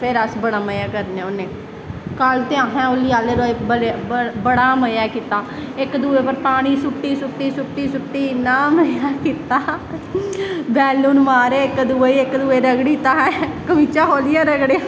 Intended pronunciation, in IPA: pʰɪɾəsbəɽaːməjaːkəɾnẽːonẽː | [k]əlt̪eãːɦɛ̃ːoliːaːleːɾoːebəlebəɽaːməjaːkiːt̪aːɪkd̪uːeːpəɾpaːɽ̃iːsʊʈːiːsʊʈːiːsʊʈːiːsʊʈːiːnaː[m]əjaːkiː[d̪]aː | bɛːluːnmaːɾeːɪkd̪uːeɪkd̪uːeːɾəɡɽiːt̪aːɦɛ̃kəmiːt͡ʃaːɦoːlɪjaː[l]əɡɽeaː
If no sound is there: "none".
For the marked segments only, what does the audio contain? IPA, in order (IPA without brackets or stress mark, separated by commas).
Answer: k, m, t̪, ɾ